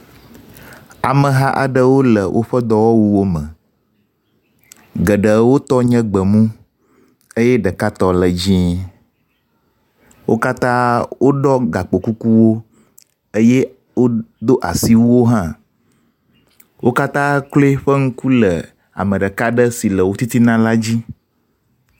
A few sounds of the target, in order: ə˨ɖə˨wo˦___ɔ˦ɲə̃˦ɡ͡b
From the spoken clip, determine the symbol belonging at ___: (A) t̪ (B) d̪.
A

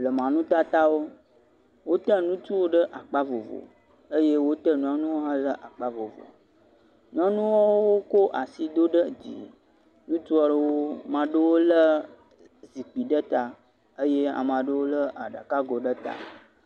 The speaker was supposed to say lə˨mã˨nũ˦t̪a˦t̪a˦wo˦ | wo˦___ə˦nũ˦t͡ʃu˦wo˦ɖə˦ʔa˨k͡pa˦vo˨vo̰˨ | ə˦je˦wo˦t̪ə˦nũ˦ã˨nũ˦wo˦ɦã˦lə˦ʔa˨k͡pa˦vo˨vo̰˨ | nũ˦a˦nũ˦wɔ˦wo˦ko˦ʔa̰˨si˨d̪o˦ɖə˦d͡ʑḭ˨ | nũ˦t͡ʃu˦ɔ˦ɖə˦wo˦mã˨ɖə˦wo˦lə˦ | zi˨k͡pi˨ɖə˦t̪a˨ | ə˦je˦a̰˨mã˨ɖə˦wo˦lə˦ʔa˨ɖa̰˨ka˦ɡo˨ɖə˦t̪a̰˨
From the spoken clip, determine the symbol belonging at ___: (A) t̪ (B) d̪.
A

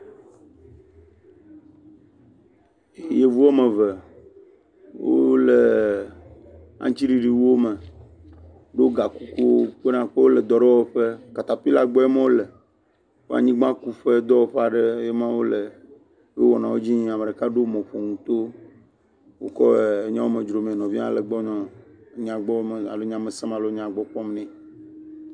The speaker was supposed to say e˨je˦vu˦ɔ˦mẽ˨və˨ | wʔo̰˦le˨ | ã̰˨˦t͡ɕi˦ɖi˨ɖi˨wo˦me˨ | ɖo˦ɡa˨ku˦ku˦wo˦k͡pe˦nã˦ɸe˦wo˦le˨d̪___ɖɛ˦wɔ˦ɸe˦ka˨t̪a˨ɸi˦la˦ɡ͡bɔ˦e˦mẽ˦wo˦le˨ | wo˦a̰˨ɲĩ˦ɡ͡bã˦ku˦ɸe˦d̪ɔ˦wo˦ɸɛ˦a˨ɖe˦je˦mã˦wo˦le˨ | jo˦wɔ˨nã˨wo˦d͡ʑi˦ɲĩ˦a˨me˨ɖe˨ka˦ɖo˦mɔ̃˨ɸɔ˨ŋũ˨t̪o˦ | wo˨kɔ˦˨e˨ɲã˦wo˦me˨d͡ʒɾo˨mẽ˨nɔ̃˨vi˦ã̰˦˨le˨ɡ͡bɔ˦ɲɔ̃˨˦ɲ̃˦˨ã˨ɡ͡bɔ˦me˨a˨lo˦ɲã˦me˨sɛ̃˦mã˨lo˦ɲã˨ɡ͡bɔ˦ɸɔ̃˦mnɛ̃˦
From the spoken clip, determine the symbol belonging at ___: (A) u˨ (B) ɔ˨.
B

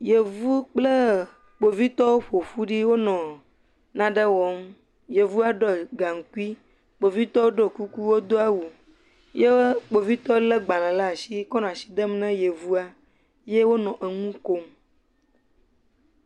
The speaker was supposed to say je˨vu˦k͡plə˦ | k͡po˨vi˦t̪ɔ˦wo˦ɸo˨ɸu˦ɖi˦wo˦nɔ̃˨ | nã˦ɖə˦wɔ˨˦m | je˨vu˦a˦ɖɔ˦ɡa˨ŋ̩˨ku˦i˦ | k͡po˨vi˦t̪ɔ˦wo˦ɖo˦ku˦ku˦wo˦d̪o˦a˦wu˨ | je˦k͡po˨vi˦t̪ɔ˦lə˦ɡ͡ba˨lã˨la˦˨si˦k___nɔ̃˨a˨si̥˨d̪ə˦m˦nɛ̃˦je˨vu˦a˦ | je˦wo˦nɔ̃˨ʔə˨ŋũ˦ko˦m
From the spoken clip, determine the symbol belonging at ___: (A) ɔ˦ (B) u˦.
A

